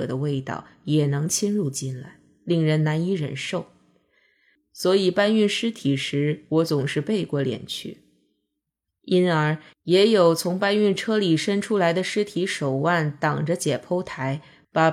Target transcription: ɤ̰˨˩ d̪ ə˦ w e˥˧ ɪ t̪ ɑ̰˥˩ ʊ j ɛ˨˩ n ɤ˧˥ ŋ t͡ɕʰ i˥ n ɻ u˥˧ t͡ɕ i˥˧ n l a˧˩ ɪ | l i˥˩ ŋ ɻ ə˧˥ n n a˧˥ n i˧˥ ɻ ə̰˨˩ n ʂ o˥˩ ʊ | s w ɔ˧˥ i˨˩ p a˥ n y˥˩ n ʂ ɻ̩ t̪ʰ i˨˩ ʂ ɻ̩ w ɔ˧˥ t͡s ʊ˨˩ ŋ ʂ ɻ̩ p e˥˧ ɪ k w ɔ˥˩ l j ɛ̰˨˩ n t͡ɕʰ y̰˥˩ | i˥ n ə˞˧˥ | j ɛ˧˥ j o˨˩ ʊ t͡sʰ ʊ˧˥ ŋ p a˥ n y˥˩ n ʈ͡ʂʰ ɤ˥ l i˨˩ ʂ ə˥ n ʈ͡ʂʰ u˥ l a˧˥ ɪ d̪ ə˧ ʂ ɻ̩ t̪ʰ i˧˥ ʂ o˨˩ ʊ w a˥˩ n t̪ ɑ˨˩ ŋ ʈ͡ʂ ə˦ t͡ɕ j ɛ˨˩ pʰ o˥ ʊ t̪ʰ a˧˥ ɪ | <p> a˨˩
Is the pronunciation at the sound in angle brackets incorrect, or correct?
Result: correct